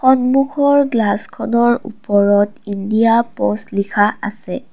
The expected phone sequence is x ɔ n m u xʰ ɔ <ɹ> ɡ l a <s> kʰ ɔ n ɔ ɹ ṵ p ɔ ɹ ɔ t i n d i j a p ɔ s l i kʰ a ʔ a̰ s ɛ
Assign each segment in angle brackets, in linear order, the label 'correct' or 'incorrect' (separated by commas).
correct, correct